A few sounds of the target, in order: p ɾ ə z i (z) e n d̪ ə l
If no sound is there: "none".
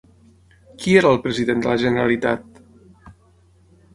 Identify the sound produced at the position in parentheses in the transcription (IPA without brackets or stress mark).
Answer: ð